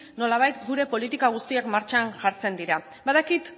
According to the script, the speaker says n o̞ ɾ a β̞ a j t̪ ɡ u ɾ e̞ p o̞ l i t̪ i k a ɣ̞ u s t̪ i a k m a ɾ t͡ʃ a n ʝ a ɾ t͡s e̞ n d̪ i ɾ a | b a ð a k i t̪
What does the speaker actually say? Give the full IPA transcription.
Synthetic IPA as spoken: n o̞ l a β̞ a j t̪ ɡ u ɾ e̞ p o̞ l i t̪ i k a ɣ̞ u s t̪ i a k m a ɾ t͡ʃ a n ʝ a ɾ t͡s e̞ n d̪ i ɾ a | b a ð a k i t̪